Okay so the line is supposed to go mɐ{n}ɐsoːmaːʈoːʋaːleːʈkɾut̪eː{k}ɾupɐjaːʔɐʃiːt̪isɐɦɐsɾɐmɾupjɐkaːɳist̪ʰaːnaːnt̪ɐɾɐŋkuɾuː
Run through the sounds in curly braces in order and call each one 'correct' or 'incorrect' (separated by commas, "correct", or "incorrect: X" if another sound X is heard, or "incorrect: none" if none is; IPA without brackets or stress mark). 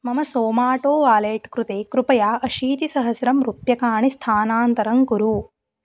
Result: incorrect: m, correct